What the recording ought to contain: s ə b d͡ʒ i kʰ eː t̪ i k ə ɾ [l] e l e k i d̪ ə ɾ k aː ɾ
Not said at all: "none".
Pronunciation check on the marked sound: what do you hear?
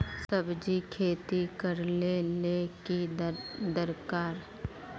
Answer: l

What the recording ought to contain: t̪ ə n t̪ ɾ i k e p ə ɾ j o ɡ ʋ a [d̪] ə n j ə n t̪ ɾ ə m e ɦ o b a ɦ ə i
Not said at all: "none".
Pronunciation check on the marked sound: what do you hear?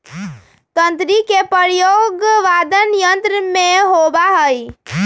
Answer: d̪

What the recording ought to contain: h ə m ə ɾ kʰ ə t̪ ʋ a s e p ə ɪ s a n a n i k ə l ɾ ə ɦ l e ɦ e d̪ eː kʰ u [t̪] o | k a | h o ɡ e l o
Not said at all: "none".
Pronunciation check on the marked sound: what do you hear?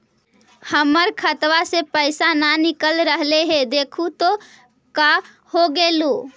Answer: t̪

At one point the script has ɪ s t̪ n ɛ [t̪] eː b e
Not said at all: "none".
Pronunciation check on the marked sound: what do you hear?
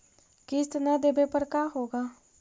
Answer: d̪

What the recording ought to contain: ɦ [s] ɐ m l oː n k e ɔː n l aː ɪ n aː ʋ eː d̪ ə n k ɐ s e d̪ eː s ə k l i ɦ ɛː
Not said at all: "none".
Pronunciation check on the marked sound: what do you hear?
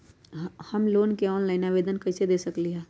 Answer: h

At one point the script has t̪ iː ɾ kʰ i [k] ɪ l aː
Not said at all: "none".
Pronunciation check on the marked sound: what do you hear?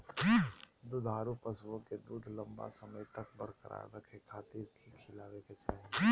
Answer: kʰ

